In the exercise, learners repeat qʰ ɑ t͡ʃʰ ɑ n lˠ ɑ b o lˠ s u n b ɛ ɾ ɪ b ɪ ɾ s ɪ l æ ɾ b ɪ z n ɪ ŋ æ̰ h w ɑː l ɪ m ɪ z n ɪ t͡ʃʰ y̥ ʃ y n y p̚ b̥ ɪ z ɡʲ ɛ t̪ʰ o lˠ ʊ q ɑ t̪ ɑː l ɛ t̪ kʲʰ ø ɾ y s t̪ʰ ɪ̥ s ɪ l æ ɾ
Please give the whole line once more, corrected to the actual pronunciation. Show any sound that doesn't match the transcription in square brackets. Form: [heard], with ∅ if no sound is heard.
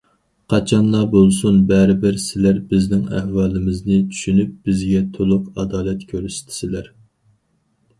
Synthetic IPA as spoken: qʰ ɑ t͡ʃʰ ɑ n lˠ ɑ b o lˠ s u n b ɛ ɾ ɪ b ɪ ɾ s ɪ l æ ɾ b ɪ z n ɪ ŋ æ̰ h w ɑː l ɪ m ɪ z n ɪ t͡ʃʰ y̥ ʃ y n y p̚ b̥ ɪ z ɡʲ ɛ t̪ʰ o lˠ ʊ q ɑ [d̪] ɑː l ɛ t̪ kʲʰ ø ɾ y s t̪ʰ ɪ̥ s ɪ l æ ɾ